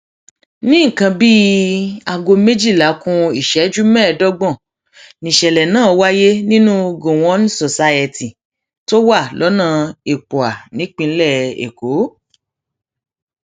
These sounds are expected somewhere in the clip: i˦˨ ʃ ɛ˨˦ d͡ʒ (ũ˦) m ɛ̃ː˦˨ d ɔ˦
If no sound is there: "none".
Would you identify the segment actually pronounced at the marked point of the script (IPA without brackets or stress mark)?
u˦